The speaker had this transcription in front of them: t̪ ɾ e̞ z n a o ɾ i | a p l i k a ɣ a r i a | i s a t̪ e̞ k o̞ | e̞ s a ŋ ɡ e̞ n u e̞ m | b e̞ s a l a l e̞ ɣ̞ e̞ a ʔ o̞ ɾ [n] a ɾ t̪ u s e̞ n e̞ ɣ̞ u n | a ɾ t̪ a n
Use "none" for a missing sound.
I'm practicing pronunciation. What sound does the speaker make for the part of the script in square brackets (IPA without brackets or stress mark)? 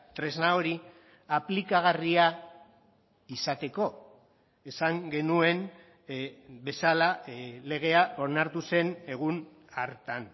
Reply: n